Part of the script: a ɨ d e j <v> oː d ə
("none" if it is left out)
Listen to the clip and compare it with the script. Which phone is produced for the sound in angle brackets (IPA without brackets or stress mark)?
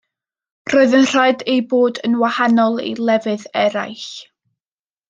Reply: b